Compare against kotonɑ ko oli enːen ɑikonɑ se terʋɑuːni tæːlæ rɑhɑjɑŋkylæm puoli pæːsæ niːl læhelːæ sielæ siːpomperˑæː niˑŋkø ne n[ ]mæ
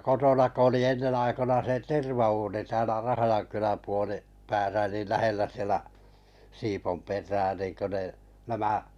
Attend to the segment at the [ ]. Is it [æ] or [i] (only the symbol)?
æ